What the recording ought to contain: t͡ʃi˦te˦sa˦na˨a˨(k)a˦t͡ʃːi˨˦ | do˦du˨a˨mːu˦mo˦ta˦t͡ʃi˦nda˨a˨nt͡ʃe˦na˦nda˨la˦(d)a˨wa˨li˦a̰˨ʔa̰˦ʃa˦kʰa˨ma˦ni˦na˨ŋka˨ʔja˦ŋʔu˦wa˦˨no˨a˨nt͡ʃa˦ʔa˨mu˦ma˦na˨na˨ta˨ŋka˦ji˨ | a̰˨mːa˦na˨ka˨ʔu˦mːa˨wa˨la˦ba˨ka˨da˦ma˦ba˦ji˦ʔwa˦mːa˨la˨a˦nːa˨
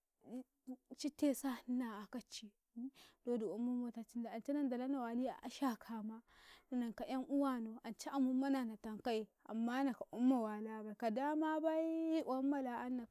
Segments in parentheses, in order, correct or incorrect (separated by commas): correct, incorrect